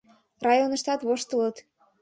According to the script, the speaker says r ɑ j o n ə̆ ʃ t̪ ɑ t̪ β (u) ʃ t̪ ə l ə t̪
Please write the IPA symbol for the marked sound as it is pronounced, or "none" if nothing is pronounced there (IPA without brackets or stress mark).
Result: o